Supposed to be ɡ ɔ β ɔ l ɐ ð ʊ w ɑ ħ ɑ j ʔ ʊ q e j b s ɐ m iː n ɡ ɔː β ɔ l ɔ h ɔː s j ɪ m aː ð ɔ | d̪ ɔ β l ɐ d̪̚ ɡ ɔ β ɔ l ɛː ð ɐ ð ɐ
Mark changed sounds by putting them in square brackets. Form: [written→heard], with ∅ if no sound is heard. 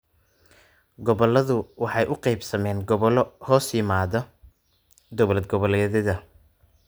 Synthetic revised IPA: ɡ ɔ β ɔ l ɐ ð ʊ w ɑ ħ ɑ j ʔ ʊ q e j b s ɐ m [iː→ɛː] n ɡ [ɔː→ɔ] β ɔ l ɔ h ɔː s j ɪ m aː ð ɔ | d̪ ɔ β l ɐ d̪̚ ɡ ɔ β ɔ l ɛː ð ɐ ð ɐ

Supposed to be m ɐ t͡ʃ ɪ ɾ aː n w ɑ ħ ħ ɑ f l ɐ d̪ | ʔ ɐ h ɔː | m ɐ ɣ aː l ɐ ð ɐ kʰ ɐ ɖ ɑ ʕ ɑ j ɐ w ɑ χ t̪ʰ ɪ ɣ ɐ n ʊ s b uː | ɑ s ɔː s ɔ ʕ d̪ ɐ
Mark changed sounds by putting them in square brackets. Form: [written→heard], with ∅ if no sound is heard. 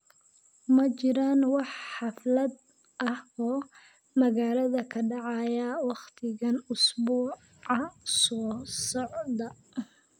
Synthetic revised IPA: m ɐ t͡ʃ ɪ ɾ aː n w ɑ ħ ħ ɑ f l ɐ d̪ | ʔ ɐ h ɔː | m ɐ ɣ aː l ɐ ð ɐ kʰ ɐ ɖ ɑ ʕ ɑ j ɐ w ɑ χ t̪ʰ ɪ ɣ ɐ n ʊ s b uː | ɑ s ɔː s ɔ ʕ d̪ ɐ

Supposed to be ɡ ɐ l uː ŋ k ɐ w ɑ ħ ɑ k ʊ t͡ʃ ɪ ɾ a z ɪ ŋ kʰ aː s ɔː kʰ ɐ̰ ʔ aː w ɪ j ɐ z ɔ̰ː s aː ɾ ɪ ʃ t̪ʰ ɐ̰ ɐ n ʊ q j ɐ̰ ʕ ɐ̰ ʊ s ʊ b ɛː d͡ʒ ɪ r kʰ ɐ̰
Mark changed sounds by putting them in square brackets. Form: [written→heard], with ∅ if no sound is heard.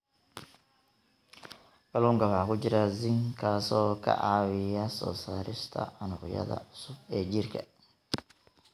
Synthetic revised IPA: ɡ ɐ l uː ŋ k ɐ w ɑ ħ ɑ k ʊ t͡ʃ ɪ ɾ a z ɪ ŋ kʰ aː s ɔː kʰ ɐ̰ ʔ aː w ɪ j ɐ [z→s] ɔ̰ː s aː ɾ ɪ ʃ t̪ʰ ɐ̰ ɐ n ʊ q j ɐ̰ [ʕ→ð] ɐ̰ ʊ s ʊ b ɛː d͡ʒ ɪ r kʰ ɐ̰

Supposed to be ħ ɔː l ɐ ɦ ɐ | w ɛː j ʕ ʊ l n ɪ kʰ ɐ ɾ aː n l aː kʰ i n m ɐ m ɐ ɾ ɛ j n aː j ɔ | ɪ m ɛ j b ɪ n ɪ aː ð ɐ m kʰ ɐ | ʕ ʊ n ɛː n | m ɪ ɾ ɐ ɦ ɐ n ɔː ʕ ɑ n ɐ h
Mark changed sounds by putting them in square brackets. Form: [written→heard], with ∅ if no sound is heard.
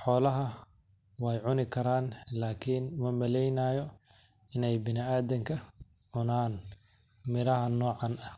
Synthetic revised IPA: ħ ɔː l ɐ ɦ ɐ | w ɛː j ʕ ʊ [l→∅] n ɪ kʰ ɐ ɾ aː n l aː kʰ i n m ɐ m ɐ [ɾ→l] ɛ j n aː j ɔ | ɪ [m→n] ɛ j b ɪ n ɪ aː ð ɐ [m→ŋ] kʰ ɐ | ʕ ʊ n [ɛː→aː] n | m ɪ ɾ ɐ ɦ ɐ n ɔː ʕ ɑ n ɐ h

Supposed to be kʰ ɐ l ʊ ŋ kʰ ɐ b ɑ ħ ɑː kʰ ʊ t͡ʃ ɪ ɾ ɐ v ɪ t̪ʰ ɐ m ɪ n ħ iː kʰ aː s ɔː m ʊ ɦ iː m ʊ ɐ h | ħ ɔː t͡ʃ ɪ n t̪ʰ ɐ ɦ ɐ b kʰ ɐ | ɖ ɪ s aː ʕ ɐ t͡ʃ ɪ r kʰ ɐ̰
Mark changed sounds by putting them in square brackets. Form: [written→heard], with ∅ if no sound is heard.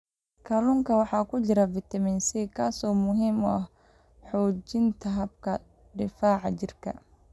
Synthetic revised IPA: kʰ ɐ l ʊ ŋ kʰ ɐ [b→w] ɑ ħ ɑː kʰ ʊ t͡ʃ ɪ ɾ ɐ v ɪ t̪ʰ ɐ m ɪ n [ħ→s] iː kʰ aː s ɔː m ʊ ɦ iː m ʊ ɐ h | ħ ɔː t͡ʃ ɪ n t̪ʰ ɐ ɦ ɐ b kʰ ɐ | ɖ ɪ [s→f] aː ʕ [ɐ→ɑ] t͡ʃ ɪ r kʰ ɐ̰

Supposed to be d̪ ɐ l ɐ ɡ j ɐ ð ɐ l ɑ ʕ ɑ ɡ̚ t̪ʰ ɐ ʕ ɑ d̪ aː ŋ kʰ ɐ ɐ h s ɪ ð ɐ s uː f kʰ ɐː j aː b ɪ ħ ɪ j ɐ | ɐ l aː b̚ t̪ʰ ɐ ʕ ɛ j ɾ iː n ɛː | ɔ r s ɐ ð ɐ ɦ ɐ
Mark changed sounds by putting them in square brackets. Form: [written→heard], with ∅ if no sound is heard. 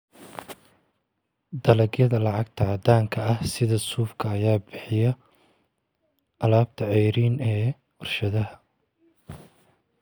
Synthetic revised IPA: d̪ ɐ l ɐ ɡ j ɐ ð ɐ l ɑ ʕ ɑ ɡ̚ t̪ʰ ɐ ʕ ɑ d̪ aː ŋ kʰ ɐ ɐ h s ɪ ð ɐ s uː f kʰ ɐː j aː b ɪ ħ ɪ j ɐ | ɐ l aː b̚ t̪ʰ ɐ ʕ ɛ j ɾ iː n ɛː | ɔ r [s→ʃ] ɐ ð ɐ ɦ ɐ

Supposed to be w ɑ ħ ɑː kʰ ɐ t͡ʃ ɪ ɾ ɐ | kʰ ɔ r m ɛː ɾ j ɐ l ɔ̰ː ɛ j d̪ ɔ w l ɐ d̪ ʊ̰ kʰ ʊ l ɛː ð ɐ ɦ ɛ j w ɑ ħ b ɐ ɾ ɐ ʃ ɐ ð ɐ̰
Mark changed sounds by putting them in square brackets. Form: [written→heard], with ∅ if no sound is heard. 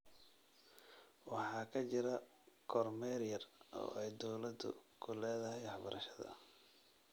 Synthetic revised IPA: w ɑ ħ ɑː kʰ ɐ t͡ʃ ɪ ɾ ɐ | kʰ ɔ r m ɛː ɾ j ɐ [l→r] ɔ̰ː ɛ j d̪ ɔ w l ɐ d̪ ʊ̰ kʰ ʊ l ɛː ð ɐ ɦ ɛ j w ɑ ħ b ɐ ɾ ɐ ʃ ɐ ð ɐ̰

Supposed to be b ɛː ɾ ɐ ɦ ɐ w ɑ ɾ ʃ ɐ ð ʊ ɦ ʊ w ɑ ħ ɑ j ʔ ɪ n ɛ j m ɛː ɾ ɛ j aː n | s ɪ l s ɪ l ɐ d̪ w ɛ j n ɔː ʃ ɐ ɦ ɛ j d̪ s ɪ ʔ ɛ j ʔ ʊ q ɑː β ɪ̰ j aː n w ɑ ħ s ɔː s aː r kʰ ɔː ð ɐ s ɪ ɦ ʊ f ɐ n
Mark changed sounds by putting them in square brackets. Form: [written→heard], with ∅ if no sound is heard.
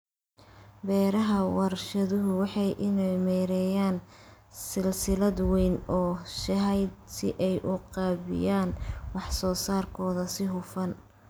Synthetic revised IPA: b ɛː ɾ ɐ ɦ ɐ w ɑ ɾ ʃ ɐ ð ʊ ɦ ʊ w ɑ ħ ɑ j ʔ ɪ n ɛ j m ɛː ɾ ɛ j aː n | s ɪ l s ɪ l ɐ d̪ w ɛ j n ɔː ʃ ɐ ɦ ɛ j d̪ s ɪ ʔ ɛ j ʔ ʊ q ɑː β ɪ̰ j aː n w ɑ ħ s ɔː s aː r kʰ ɔː ð ɐ s ɪ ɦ ʊ f ɐ n

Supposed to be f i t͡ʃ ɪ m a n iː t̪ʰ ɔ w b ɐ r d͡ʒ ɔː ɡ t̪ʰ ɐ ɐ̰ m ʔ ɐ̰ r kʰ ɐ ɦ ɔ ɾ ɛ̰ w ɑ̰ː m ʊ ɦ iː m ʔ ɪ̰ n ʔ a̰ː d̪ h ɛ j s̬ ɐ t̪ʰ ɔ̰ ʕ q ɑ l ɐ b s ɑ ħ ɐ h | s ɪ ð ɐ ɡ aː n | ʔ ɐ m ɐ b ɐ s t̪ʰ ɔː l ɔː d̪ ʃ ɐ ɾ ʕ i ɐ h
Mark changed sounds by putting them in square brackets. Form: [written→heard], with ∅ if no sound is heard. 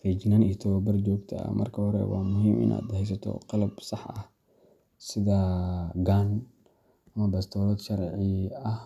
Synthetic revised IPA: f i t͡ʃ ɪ [m→n] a n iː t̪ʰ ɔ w b ɐ r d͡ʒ ɔː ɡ t̪ʰ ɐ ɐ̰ m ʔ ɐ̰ r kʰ ɐ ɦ ɔ ɾ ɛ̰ w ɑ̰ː m ʊ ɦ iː m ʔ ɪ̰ n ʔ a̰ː d̪ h ɛ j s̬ ɐ t̪ʰ ɔ̰ [ʕ→∅] q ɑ l ɐ b s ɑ ħ ɐ h | s ɪ ð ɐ ɡ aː n | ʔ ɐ m ɐ b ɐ s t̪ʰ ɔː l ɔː d̪ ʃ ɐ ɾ ʕ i ɐ h

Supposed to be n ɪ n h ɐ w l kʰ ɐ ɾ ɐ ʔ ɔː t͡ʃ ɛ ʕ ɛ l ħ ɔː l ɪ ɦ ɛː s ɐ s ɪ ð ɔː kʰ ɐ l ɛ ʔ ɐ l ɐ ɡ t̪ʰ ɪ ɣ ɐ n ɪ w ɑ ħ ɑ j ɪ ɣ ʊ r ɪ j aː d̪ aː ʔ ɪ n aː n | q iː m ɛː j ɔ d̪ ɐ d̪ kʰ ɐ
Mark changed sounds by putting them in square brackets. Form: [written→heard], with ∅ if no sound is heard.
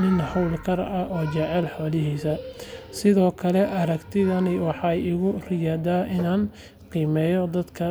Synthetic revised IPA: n ɪ n h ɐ w l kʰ ɐ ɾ ɐ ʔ ɔː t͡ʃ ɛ ʕ ɛ l ħ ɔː l ɪ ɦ [ɛː→iː] s ɐ s ɪ ð ɔː kʰ ɐ l ɛ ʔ ɐ [l→ɾ] ɐ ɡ t̪ʰ ɪ [ɣ→ð] ɐ n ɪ w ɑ ħ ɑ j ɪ ɣ ʊ r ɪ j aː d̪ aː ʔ ɪ n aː n | q iː m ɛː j ɔ d̪ ɐ d̪ kʰ ɐ

